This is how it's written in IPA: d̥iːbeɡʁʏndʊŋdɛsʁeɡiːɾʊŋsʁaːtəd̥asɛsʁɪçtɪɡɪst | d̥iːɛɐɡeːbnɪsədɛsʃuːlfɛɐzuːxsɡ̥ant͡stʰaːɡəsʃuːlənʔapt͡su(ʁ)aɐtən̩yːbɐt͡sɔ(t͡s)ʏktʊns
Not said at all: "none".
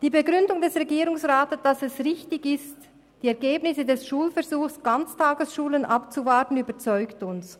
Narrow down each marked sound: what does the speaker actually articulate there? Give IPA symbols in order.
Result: v, none

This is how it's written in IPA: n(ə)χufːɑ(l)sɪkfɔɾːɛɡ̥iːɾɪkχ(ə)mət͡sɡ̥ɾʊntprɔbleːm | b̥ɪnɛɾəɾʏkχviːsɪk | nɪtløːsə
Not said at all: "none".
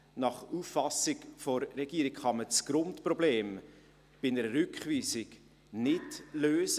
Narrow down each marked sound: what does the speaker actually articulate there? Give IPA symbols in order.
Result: ɑ, none, ɑ

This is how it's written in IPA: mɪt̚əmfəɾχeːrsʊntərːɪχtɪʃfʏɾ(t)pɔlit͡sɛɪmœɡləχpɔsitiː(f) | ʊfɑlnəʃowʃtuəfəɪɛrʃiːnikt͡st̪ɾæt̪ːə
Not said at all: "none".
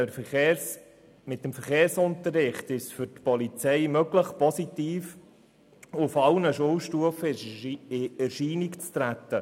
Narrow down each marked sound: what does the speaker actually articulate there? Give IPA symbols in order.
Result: t, f

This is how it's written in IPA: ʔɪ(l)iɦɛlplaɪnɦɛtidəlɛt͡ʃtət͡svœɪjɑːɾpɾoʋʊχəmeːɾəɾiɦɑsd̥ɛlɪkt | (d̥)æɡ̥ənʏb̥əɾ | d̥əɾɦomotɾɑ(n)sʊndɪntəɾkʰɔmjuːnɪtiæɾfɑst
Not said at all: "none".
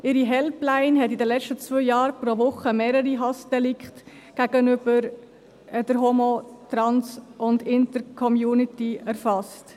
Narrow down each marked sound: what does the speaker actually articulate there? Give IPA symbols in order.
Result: ɾ, ɡ̥, n

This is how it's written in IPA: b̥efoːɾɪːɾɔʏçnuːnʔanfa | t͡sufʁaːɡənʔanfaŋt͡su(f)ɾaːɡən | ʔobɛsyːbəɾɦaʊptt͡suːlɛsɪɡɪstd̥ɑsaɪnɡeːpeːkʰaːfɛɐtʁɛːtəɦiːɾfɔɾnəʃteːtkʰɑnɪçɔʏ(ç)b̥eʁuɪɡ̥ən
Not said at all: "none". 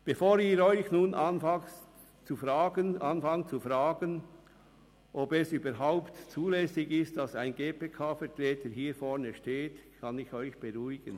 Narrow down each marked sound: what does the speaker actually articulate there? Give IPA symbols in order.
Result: f, ç

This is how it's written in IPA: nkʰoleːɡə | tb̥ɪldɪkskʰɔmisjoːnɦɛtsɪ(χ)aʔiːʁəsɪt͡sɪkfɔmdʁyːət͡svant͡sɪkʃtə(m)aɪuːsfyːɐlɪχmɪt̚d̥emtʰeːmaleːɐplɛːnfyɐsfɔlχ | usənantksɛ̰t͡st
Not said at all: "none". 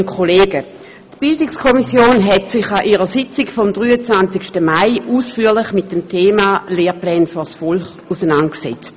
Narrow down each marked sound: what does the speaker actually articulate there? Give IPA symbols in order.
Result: χ, m

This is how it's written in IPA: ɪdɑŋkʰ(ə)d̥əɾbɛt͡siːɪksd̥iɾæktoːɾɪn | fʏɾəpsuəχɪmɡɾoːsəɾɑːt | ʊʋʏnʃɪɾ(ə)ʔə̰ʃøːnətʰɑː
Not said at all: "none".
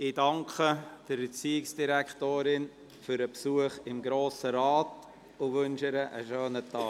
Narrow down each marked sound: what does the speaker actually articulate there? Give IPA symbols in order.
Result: ə, ə

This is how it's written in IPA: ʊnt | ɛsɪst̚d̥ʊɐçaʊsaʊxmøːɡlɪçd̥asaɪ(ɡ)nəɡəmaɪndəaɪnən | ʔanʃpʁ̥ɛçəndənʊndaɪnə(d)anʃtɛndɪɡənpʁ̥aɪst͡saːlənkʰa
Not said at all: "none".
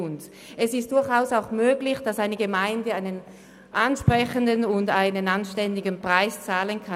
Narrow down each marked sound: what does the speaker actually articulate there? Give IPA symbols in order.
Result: none, n

